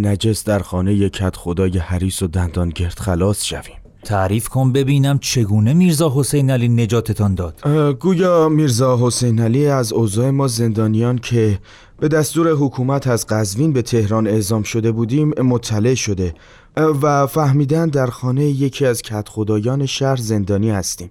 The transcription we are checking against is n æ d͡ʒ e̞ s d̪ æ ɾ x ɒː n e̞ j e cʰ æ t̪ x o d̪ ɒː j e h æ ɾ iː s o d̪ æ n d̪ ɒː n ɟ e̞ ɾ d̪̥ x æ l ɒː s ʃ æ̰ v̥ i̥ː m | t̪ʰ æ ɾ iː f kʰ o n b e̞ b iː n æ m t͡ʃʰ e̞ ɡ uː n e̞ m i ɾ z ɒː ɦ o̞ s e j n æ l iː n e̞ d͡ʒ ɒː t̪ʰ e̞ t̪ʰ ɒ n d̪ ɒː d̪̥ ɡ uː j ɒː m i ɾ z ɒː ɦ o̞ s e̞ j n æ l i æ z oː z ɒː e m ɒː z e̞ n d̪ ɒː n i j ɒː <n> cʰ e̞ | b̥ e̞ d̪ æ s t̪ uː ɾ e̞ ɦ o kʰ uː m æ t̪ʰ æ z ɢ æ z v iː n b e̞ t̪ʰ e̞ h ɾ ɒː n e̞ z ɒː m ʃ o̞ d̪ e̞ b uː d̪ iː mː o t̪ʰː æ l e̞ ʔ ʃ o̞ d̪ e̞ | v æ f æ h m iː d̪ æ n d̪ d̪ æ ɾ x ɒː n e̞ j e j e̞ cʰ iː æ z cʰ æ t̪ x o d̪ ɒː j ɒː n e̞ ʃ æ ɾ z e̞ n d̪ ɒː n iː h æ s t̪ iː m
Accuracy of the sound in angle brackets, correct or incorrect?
correct